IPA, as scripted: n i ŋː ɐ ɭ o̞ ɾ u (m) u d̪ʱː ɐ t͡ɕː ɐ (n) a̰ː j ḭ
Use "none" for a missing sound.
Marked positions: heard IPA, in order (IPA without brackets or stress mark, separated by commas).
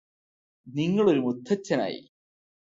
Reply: m, n